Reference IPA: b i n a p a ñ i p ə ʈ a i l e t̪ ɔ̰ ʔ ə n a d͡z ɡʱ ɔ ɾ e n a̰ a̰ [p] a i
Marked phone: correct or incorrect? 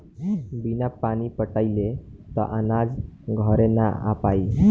correct